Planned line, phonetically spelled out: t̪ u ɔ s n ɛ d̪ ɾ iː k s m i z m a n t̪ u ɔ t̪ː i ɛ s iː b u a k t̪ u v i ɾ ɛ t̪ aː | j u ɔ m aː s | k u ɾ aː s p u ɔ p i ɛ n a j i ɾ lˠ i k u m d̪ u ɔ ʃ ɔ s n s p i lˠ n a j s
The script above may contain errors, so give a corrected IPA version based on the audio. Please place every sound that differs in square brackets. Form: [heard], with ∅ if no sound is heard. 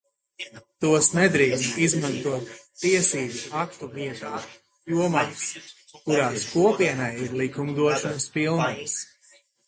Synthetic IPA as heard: t̪ u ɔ s n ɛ d̪ ɾ iː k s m i z m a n t̪ u ɔ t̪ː i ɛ s iː b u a k t̪ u v i [∅] ɛ t̪ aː | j u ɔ m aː s | k u ɾ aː s [k] u ɔ p i ɛ n a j i ɾ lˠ i k u m d̪ u ɔ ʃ ɔ [∅] n s p i lˠ n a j s